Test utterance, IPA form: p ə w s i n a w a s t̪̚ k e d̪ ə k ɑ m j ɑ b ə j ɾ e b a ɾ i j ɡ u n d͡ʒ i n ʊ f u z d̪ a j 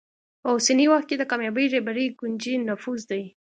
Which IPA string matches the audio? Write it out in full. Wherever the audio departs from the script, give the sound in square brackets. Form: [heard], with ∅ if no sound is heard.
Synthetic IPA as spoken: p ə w s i n [i] w a [x] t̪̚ k e d̪ ə k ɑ m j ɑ b ə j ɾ e b a ɾ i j ɡ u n d͡ʒ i n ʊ f u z d̪ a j